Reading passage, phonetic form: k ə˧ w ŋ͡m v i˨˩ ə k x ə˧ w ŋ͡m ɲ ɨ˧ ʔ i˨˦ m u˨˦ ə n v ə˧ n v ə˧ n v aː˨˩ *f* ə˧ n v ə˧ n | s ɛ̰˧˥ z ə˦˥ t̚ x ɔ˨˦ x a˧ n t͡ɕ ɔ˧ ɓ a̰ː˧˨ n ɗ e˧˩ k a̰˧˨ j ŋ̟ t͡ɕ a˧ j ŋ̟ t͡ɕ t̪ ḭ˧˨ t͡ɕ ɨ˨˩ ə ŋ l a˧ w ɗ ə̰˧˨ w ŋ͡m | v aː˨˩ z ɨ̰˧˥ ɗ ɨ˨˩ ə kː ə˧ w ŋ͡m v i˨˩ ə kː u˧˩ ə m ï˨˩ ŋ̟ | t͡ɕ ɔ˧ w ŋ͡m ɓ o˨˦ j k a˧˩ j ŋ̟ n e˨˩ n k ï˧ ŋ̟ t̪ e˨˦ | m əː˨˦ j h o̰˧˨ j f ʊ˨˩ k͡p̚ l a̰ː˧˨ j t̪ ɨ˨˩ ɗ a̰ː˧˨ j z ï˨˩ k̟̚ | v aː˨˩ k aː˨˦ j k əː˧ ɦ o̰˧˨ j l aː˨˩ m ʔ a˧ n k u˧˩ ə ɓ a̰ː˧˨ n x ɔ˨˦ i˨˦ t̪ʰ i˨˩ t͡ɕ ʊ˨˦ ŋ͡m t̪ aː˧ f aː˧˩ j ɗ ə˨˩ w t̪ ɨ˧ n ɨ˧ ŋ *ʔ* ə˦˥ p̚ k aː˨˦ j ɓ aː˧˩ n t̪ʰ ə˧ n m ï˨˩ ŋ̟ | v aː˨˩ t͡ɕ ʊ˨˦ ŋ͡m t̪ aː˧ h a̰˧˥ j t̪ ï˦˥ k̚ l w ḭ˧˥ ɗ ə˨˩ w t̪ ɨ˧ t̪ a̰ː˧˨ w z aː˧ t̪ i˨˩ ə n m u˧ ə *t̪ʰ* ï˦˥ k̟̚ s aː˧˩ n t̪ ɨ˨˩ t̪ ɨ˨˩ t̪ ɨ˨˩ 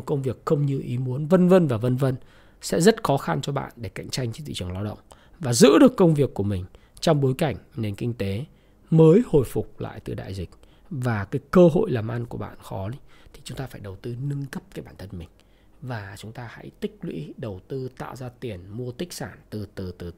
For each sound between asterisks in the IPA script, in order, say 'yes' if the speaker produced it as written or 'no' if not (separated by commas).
no, no, no